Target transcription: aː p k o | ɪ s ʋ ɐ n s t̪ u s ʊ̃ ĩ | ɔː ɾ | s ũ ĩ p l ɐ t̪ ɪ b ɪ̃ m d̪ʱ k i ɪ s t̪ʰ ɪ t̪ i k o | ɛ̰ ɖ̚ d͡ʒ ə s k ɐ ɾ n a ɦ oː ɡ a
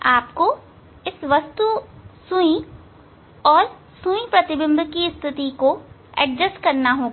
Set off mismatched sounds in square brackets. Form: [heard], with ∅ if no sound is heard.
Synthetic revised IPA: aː p k o | ɪ s ʋ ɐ [∅] s t̪ u s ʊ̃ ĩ | ɔː ɾ | s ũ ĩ p [ɾ] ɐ t̪ ɪ b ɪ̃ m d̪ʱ k i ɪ s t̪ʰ ɪ t̪ i k o | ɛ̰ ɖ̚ d͡ʒ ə s k ɐ ɾ n a ɦ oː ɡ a